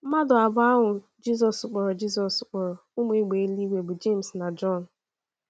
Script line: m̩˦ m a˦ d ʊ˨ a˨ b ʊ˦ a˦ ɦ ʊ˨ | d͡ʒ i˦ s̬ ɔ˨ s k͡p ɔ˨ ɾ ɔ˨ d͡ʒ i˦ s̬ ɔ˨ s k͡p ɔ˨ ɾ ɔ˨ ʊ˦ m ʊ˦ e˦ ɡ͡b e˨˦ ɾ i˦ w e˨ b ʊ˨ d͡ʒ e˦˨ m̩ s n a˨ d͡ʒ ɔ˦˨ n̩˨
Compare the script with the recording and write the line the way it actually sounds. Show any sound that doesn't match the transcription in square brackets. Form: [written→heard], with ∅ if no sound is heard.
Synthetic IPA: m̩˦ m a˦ d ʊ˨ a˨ b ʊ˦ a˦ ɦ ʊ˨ | d͡ʒ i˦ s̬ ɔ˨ s k͡p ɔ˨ ɾ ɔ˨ d͡ʒ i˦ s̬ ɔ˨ s k͡p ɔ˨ ɾ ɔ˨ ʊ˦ m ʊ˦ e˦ ɡ͡b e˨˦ [ɾ→l] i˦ w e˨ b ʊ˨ d͡ʒ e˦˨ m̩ s n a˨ d͡ʒ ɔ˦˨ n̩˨